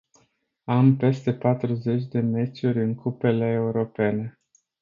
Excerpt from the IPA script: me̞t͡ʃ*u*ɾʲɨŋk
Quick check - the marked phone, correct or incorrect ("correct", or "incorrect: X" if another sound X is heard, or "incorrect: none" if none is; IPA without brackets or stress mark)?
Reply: correct